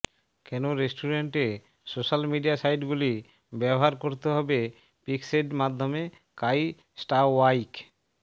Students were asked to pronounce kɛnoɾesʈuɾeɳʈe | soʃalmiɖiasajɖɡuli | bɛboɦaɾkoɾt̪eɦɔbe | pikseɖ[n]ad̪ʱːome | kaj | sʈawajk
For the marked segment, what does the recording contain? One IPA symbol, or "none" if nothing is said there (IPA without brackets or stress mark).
m